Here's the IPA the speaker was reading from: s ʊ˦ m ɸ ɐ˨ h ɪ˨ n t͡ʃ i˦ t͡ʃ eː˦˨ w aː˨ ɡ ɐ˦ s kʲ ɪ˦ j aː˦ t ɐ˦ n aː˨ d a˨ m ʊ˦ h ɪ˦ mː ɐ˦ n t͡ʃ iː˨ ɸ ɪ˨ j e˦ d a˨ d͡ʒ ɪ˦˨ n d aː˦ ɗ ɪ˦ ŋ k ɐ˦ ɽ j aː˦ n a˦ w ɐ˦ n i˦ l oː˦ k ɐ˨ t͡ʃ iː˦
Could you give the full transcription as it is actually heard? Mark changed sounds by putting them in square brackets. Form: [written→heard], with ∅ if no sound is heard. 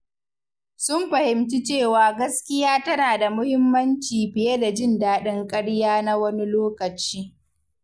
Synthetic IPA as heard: s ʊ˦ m ɸ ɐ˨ h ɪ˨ [n→m] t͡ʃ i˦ t͡ʃ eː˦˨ w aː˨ ɡ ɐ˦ s kʲ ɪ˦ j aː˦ t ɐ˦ n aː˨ d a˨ m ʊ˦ h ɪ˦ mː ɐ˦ n t͡ʃ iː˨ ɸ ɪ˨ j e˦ d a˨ d͡ʒ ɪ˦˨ n d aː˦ ɗ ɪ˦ ŋ [k→kʼ] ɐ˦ ɽ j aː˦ n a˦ w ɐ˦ n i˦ l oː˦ k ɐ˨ t͡ʃ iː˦